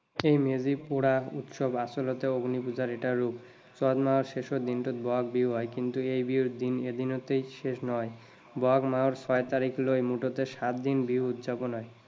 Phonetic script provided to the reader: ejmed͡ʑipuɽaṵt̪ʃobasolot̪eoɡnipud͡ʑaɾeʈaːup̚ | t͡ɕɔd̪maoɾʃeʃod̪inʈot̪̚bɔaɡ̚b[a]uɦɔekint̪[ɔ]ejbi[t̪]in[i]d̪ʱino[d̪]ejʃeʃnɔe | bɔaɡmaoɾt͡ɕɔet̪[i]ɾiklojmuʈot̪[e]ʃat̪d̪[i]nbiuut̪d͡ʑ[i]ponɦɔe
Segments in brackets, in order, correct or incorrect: incorrect, incorrect, incorrect, incorrect, incorrect, incorrect, correct, correct, incorrect

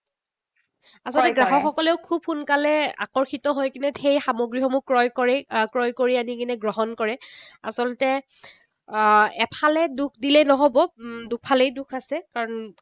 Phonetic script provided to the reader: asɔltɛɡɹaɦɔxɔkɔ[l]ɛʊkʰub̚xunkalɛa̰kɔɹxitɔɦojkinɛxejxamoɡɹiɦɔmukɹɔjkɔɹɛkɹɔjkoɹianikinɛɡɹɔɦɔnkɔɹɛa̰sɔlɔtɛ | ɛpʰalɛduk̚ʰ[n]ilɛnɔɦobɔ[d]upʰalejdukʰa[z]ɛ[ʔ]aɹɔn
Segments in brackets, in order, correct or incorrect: correct, incorrect, correct, incorrect, incorrect

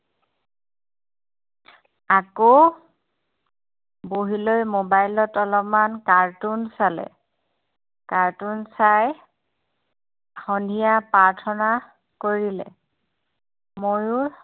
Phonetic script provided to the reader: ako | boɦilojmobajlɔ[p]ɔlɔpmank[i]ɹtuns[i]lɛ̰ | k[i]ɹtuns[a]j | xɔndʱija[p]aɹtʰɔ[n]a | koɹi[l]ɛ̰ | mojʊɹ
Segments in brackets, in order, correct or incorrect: incorrect, incorrect, incorrect, incorrect, correct, correct, correct, correct

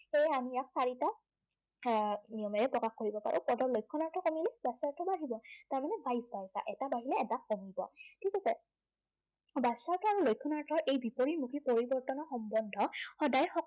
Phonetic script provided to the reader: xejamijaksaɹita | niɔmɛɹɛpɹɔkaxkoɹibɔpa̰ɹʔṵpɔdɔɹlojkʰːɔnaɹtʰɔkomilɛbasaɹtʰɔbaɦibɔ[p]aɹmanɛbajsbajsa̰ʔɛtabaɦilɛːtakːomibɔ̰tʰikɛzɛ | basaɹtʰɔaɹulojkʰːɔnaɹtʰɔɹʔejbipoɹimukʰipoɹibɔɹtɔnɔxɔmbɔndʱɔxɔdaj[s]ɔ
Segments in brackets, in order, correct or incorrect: incorrect, incorrect

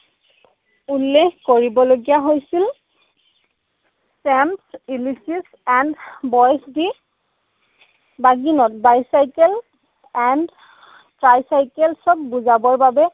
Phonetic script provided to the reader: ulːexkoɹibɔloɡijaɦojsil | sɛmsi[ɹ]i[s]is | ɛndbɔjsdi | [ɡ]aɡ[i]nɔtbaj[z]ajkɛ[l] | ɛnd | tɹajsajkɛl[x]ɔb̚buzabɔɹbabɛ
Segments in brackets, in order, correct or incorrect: incorrect, correct, incorrect, correct, incorrect, correct, incorrect

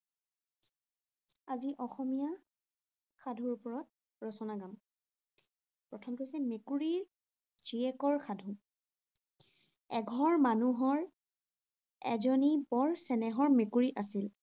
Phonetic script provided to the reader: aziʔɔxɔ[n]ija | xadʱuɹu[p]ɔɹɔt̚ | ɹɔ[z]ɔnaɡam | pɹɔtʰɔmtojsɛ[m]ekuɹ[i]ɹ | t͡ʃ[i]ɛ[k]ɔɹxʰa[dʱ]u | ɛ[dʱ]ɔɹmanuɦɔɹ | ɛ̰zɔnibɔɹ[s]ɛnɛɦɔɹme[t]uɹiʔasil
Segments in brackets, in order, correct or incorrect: incorrect, correct, incorrect, correct, correct, correct, correct, correct, incorrect, correct, incorrect

